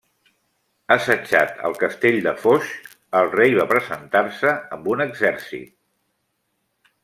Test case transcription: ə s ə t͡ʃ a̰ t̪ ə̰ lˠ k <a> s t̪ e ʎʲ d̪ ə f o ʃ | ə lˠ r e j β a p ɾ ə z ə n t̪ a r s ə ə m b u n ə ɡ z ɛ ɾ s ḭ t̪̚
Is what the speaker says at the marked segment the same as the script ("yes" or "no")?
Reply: no